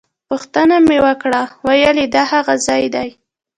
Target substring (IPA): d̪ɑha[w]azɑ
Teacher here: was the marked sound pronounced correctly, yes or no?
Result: no